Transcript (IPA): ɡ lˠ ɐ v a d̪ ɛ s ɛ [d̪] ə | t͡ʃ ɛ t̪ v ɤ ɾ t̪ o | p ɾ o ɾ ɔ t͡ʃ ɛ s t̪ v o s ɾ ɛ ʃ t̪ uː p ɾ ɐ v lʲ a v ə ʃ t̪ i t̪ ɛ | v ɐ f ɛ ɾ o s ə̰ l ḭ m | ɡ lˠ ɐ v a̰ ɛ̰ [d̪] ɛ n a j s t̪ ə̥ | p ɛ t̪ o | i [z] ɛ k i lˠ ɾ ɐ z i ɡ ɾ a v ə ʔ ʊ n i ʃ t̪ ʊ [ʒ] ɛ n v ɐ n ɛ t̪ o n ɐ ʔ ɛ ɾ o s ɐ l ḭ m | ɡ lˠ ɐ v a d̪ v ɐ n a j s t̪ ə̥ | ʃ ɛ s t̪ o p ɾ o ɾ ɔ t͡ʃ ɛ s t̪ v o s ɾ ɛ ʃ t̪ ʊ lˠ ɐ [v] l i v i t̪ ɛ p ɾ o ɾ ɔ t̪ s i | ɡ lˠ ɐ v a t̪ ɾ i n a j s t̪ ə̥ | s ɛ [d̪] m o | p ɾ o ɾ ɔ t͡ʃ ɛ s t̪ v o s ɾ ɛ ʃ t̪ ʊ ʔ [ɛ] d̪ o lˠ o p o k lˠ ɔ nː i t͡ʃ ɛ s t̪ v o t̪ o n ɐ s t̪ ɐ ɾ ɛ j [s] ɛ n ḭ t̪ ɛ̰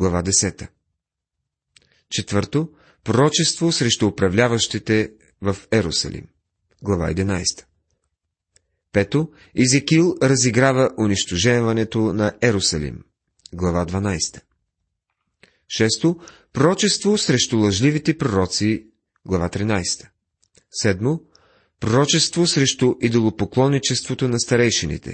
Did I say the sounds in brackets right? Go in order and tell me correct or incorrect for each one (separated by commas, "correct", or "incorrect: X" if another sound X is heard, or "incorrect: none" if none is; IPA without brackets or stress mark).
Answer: incorrect: t̪, correct, correct, correct, incorrect: ʒ, correct, incorrect: i, incorrect: ʃ